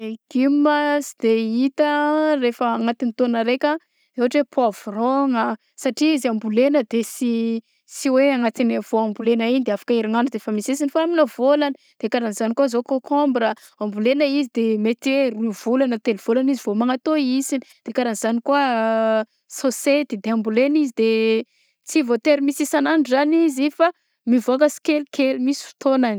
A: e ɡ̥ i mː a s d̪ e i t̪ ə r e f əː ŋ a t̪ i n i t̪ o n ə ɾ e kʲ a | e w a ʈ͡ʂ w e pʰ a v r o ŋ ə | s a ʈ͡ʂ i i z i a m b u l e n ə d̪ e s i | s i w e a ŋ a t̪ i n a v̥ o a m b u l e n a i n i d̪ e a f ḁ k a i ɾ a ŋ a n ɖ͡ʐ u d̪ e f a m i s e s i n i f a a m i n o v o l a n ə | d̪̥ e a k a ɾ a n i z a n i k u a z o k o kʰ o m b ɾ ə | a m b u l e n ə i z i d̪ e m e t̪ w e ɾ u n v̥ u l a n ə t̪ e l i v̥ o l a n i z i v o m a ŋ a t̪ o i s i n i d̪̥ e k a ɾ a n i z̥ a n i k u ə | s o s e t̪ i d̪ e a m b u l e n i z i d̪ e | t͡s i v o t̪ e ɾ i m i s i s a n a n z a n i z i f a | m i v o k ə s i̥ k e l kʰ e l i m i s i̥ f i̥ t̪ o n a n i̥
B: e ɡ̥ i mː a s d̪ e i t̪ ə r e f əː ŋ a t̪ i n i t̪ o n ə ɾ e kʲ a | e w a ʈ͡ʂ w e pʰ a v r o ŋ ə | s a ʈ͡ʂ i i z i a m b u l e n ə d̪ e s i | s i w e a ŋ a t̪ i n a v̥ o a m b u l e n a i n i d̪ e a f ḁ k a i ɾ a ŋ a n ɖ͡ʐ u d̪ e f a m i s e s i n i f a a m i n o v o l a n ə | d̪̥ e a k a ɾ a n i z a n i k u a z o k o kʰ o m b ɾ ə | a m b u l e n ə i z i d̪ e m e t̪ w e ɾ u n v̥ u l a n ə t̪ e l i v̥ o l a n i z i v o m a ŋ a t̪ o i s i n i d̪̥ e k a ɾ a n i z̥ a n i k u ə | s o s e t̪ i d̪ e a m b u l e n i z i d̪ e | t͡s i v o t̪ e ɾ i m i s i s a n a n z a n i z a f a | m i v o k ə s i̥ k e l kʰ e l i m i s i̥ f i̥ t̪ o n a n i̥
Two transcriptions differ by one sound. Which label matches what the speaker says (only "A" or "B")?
A